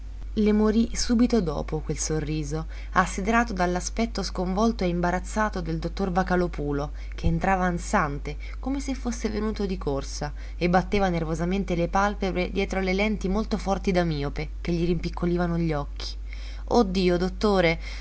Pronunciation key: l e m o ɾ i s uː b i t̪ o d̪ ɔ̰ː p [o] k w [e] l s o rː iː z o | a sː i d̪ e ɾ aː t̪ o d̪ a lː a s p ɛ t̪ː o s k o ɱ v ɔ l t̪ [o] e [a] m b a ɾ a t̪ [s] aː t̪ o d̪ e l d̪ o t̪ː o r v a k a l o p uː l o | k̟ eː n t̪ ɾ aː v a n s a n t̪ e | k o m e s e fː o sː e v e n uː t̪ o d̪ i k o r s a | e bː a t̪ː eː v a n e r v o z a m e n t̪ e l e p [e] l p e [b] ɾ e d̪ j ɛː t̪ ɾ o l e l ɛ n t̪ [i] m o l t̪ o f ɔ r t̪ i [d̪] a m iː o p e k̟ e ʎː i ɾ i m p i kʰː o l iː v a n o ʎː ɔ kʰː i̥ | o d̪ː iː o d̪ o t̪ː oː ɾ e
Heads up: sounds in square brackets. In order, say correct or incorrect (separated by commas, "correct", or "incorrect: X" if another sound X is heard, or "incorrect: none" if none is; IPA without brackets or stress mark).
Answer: correct, correct, correct, incorrect: i, incorrect: sː, incorrect: a, correct, correct, correct